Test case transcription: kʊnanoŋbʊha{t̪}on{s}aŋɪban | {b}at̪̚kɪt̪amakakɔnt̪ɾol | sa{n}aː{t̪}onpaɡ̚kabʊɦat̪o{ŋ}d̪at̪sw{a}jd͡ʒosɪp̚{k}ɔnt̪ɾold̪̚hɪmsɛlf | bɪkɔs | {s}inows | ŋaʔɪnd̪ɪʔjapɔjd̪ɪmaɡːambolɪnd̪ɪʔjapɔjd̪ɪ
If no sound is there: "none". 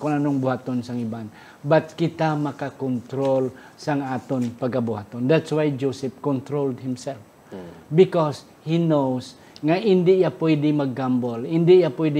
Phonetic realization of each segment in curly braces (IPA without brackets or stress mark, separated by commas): t̪, s, b, ŋ, t̪, n, a, k, h